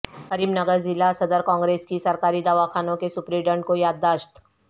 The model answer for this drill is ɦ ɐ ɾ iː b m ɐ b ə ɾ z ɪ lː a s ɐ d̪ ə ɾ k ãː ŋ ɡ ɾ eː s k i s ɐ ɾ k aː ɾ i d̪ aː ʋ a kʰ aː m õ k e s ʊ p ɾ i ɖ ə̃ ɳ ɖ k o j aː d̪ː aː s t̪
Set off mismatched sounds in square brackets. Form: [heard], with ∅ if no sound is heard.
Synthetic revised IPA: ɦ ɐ ɾ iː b [n] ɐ [ɡ] ə ɾ z ɪ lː a s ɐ d̪ ə ɾ k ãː ŋ ɡ ɾ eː s k i s ɐ ɾ k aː ɾ i d̪ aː ʋ a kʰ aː [n] õ k e s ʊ p ɾ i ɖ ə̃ ɳ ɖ k o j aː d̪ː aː [ʃ] t̪